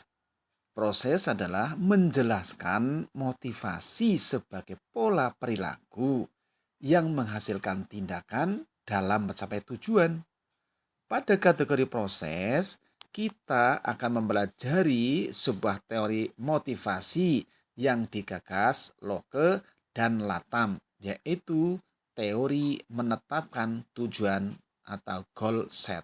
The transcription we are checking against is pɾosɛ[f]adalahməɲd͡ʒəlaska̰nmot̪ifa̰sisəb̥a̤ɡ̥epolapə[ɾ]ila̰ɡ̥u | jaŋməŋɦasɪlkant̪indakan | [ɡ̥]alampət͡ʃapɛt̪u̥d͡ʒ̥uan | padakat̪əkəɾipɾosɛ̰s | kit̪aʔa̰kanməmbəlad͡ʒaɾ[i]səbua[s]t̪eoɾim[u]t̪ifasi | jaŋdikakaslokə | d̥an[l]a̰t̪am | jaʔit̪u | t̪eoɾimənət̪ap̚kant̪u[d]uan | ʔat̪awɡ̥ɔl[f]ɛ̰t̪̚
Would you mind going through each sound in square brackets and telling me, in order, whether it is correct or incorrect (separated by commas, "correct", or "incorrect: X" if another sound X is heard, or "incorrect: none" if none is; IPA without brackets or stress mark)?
incorrect: s, correct, incorrect: d̥, correct, incorrect: h, incorrect: o, correct, incorrect: d͡ʒ, incorrect: s